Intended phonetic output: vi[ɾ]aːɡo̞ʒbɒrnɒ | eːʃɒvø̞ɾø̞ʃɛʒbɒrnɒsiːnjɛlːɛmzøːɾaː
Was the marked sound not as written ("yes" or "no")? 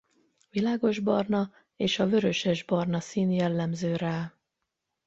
yes